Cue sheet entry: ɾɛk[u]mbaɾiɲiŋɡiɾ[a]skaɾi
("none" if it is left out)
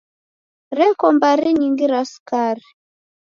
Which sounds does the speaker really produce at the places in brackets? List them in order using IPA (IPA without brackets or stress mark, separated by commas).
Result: ɔ, a